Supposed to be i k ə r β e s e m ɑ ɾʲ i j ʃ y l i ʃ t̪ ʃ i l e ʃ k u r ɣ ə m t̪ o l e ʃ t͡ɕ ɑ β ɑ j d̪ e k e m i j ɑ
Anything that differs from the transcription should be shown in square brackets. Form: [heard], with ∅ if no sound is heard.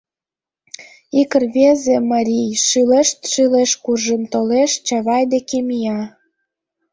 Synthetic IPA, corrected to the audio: i k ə r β e [z] e m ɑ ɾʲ i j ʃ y l [e] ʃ t̪ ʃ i l e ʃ k u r [ʒ] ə m t̪ o l e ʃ t͡ɕ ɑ β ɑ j d̪ e k e m i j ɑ

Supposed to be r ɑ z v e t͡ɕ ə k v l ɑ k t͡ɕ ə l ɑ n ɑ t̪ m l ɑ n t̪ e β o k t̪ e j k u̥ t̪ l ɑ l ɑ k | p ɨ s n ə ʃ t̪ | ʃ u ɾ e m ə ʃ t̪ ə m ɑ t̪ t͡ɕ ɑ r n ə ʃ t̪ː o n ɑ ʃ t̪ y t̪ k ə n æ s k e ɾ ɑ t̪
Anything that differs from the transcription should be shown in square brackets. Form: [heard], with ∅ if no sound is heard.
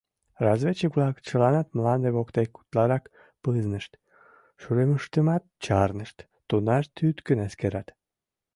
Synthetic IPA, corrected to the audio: r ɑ z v e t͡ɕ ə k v l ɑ k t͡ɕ ə l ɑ n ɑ t̪ m l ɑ n [d̪] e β o k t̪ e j k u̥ t̪ l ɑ [ɾ] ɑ k | p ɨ [z] n ə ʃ t̪ | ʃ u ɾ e m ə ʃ t̪ ə m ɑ t̪ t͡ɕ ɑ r n ə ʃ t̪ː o n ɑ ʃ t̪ y t̪ k ə n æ s k e ɾ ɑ t̪

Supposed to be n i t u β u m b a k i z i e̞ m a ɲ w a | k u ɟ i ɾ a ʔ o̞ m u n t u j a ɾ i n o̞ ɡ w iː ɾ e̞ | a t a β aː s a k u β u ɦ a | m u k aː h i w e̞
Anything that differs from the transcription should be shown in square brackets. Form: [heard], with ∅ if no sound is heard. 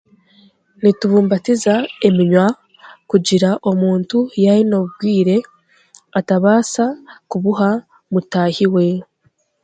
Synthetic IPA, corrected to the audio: n i t u β [uː] m b a [t] i z [a] e̞ m [i] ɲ w a | k u ɟ i ɾ a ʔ o̞ m [uː] n t u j a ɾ i n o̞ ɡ w iː ɾ e̞ | a t a β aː s a k u β u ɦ a | m u [t] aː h i w e̞

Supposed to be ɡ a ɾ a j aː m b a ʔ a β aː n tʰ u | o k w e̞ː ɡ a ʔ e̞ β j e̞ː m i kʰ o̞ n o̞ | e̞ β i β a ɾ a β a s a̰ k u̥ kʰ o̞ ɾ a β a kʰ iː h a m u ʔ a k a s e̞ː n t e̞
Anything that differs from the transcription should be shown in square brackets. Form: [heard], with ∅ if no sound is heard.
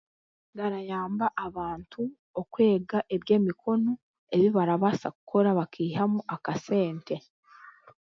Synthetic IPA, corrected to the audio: ɡ a ɾ a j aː m b a ʔ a β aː n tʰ u | o k w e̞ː ɡ a ʔ e̞ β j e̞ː m i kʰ o̞ n o̞ | e̞ β i β a ɾ a β a s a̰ k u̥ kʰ o̞ ɾ a β a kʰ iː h a m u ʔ a k a s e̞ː n t e̞

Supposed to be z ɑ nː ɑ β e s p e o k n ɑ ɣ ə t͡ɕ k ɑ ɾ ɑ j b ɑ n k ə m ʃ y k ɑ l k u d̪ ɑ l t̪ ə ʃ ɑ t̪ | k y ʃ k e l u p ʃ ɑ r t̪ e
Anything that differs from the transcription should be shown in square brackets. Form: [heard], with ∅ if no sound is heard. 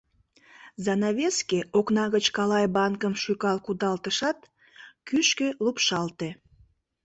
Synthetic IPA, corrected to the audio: z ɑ [n] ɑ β e s [k] e o k n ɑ ɣ ə t͡ɕ k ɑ [l] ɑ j b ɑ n k ə m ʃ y k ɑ l k u d̪ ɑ l t̪ ə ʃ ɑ t̪ | k y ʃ k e l u p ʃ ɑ [l] t̪ e

